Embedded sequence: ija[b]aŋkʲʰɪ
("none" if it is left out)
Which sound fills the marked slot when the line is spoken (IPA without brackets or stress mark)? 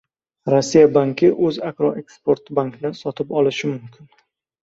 b